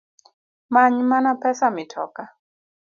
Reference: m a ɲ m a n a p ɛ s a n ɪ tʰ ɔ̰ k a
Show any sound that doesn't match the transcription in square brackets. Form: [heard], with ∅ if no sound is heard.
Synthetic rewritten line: m a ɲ m a n a p ɛ s a [m] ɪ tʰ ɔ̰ k a

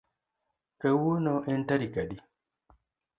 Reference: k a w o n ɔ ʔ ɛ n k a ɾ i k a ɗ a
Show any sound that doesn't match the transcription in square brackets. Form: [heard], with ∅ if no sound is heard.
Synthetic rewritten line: k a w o n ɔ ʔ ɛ n [t] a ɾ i k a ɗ [i]

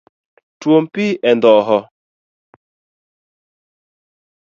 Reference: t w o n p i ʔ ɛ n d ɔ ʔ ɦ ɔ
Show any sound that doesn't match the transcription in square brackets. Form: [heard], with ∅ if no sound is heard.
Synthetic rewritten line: t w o [m] p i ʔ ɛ n d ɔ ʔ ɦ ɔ

